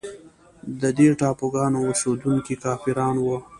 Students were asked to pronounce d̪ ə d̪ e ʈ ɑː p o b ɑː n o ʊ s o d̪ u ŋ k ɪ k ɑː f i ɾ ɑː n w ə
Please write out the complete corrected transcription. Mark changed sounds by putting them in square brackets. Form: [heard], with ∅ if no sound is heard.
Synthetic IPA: d̪ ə d̪ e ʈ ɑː p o [ɡ] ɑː n o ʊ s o d̪ u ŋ k [i] k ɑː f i ɾ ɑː n w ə